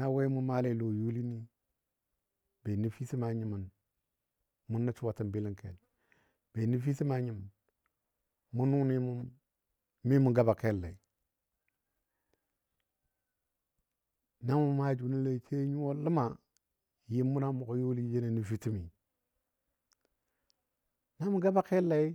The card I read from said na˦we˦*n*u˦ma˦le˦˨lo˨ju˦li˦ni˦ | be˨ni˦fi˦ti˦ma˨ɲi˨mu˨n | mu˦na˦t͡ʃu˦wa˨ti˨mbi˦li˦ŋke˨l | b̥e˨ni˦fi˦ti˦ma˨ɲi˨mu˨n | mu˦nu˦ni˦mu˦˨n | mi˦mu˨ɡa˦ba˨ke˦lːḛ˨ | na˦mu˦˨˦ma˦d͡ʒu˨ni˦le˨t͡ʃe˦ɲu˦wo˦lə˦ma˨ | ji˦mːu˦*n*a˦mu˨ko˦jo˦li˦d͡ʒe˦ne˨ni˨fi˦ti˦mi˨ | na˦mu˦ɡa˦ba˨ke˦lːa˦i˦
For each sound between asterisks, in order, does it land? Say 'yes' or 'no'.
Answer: no, yes

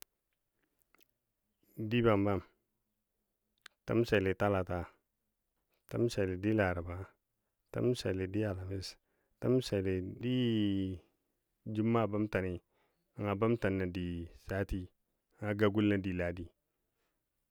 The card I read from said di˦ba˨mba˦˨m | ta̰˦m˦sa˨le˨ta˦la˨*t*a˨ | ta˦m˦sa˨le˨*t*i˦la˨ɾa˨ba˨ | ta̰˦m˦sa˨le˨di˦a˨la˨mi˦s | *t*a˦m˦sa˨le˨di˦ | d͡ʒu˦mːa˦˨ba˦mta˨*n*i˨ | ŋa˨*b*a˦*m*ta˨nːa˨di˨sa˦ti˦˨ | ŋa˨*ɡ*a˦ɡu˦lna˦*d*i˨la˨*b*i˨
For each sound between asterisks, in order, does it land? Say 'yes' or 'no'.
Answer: yes, no, yes, yes, yes, yes, yes, yes, no

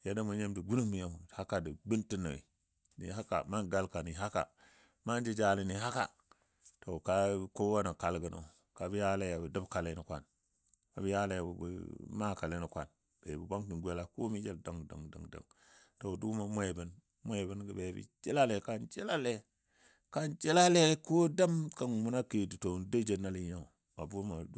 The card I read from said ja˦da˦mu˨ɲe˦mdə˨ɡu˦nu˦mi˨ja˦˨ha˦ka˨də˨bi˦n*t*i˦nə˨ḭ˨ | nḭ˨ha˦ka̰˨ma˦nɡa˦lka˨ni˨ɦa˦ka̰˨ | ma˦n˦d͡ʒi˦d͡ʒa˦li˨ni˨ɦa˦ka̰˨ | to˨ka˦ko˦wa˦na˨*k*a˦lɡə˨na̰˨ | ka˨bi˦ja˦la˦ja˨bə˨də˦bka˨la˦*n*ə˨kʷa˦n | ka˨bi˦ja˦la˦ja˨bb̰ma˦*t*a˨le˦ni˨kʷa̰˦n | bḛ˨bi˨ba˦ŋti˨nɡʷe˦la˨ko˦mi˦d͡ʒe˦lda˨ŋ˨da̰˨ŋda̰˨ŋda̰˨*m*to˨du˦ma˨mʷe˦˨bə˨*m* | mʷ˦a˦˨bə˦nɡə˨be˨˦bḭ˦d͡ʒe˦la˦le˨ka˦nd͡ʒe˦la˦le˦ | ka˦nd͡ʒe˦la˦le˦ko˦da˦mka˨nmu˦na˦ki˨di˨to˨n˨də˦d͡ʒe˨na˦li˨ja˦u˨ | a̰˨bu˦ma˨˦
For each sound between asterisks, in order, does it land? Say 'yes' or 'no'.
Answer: yes, yes, yes, no, no, no

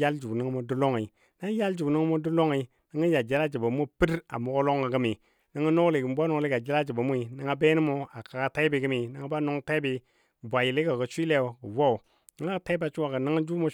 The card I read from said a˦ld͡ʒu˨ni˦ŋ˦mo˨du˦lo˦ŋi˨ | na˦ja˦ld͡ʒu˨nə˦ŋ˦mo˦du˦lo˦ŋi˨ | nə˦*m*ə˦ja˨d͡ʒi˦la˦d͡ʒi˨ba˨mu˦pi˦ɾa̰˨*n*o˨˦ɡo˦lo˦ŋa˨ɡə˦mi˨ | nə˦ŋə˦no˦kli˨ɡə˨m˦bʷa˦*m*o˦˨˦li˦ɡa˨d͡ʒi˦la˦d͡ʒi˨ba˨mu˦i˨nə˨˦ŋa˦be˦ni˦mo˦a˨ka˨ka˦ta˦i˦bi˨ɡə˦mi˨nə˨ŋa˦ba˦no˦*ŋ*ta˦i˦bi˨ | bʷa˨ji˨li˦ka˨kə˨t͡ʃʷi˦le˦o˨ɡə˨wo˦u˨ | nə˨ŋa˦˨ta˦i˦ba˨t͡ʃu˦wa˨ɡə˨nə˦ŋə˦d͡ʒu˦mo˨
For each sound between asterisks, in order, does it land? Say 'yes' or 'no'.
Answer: no, no, no, yes

